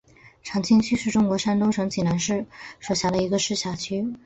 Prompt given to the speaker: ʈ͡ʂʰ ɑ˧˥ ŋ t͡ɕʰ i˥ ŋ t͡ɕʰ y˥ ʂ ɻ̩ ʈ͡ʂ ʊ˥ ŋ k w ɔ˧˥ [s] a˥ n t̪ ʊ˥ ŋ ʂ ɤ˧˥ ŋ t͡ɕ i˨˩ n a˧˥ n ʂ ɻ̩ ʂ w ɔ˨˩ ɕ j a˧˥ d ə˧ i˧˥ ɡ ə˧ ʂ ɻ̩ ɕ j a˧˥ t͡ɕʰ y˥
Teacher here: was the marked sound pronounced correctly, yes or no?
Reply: no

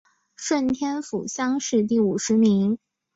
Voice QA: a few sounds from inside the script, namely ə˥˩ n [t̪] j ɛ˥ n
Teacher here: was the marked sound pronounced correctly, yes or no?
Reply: no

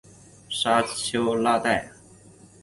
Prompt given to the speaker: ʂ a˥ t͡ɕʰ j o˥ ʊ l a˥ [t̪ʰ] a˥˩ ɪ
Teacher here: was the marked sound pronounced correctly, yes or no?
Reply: no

